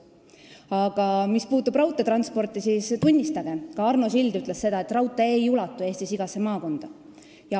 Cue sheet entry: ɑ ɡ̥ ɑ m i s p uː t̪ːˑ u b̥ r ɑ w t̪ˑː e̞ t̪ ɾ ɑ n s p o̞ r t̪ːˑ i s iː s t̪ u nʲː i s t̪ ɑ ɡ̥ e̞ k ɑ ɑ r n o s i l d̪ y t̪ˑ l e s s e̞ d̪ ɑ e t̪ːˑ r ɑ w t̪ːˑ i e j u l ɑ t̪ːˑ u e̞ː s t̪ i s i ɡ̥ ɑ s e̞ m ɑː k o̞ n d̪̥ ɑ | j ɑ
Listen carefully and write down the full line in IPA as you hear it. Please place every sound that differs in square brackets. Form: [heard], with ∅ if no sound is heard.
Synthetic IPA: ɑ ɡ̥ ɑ m i s p uː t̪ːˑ u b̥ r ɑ w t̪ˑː e̞ t̪ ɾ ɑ n s p o̞ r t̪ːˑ i s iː s t̪ u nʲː i s t̪ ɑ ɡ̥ e̞ k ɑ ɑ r n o s i l d̪ y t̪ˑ l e s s e̞ d̪ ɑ e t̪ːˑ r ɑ w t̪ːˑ [e] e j u l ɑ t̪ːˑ u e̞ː s t̪ i s i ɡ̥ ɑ s e̞ m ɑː k o̞ n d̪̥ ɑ | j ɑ